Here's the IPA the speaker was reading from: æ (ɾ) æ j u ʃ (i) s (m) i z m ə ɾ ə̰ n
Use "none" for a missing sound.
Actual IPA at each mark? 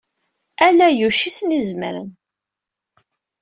l, i, n

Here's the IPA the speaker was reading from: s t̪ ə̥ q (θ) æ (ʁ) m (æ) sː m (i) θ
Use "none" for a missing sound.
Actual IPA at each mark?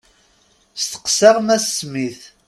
s, ʁ, æ, i

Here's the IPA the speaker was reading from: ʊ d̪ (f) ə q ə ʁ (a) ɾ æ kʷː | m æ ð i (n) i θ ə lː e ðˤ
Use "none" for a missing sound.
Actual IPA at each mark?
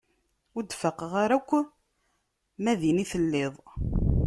f, a, n

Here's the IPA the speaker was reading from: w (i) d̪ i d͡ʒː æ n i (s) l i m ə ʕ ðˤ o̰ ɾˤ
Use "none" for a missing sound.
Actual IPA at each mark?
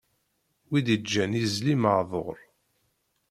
i, z

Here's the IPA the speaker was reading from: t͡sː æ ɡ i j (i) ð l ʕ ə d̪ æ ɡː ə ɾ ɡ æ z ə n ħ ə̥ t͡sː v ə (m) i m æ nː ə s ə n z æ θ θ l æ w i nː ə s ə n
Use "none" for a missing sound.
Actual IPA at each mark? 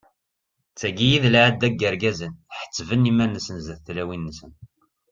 i, n

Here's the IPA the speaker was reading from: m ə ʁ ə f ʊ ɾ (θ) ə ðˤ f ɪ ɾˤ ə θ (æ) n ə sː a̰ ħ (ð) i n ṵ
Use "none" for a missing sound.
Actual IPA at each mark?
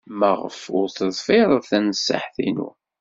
θ, æ, θ

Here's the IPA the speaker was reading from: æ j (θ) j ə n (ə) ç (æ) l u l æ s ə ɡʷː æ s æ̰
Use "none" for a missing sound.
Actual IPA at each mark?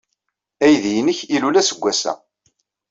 ð, ə, i

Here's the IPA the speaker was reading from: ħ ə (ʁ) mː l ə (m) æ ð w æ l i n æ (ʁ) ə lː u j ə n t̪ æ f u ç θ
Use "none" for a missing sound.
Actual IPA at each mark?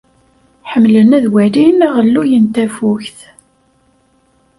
none, n, ʁ

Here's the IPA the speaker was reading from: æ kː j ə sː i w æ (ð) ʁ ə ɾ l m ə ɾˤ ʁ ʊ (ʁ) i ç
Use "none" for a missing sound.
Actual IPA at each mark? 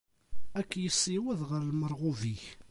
ð, v

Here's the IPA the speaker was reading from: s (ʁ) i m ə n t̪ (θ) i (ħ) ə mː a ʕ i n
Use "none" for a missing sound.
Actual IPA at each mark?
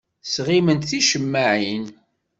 ʁ, θ, ʃ

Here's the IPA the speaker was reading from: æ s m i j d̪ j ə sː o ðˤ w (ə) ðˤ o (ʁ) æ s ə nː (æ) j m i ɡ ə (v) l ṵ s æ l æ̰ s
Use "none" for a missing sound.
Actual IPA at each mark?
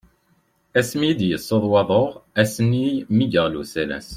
ɑ, ʁ, i, ʁ

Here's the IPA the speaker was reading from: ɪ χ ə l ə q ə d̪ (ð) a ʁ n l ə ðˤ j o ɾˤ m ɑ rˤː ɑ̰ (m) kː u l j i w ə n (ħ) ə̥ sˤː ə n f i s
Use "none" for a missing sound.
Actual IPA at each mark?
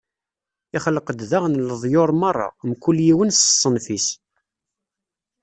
ð, m, s

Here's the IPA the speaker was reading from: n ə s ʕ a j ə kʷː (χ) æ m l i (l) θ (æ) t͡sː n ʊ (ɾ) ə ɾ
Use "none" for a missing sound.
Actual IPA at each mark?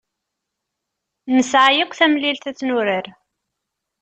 θ, l, æ, ɾ

